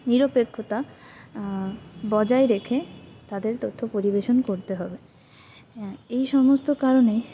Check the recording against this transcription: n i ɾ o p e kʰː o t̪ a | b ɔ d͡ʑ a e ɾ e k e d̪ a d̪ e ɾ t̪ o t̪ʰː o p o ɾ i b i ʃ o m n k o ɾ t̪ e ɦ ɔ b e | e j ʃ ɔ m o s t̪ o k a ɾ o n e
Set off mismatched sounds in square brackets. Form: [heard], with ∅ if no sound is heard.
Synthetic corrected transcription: n i ɾ o p e kʰː o t̪ a | b ɔ d͡ʑ a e ɾ e [kʰ] e [t̪] a d̪ e ɾ t̪ o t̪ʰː o p o ɾ i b [e] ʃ o [∅] n k o ɾ t̪ e ɦ ɔ b e | e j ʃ ɔ m o s t̪ o k a ɾ o n e